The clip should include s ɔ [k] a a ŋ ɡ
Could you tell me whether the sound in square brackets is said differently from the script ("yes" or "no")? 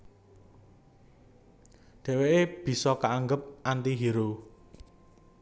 no